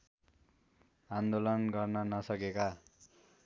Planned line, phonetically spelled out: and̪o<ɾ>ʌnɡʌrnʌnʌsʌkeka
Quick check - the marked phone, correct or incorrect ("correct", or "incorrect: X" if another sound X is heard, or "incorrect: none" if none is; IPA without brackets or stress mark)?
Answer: incorrect: l